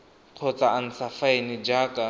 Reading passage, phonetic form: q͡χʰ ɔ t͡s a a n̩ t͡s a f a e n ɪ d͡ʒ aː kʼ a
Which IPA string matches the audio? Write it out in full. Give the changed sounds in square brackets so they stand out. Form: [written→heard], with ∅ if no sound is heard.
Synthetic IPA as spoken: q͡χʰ ɔ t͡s a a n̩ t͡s a f a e n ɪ d͡ʒ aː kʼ a